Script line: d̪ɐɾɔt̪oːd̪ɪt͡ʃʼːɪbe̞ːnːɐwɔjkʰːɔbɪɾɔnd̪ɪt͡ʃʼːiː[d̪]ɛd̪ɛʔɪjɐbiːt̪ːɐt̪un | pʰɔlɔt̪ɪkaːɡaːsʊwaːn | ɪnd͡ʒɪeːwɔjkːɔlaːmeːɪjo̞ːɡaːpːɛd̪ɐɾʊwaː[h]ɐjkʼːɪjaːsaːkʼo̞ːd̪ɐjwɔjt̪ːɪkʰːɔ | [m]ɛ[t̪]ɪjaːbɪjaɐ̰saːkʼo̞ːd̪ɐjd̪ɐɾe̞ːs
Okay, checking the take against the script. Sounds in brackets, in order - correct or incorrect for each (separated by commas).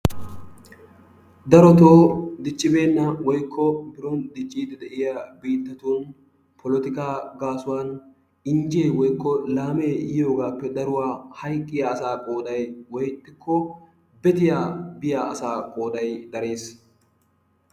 correct, correct, incorrect, correct